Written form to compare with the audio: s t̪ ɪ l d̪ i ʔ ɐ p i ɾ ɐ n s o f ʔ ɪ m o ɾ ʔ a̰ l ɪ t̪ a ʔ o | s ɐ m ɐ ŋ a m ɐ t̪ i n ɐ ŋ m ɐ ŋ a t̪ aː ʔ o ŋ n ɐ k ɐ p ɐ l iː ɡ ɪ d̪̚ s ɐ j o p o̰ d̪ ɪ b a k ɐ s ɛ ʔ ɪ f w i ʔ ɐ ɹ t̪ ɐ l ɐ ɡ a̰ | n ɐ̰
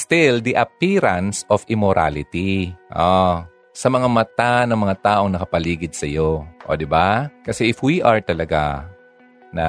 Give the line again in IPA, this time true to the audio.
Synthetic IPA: s t̪ ɪ l d̪ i ʔ ɐ p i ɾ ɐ n s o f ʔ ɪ m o ɾ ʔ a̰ l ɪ t̪ i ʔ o | s ɐ m ɐ ŋ a m ɐ t̪ a n ɐ ŋ m ɐ ŋ a t̪ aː ʔ o ŋ n ɐ k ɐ p ɐ l iː ɡ ɪ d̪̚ s ɐ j o ʔ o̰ d̪ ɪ b a k ɐ s ɛ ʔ ɪ f w i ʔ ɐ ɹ t̪ ɐ l ɐ ɡ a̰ | n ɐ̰